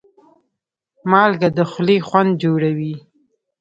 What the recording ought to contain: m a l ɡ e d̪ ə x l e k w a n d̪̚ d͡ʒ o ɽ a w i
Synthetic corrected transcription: m ɑ l ɡ a d̪ ə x l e x w a n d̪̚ d͡ʒ o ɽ a w i